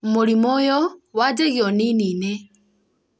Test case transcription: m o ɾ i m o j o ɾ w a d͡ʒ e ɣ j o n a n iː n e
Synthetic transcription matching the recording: m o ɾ i m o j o w a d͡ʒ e ɣ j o n i n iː n e